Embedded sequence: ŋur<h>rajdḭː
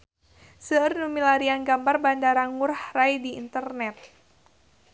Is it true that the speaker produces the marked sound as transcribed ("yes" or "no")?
yes